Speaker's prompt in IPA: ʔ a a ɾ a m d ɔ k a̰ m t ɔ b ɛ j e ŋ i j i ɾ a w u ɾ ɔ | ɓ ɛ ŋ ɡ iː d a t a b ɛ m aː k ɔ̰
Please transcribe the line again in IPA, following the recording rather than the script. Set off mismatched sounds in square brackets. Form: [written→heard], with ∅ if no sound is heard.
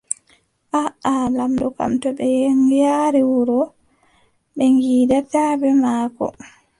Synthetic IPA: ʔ a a [ɾ→l] a m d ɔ k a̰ m t ɔ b ɛ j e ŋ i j [i→a] ɾ [a→i] w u ɾ ɔ | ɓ ɛ ŋ ɡ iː d a t a b ɛ m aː k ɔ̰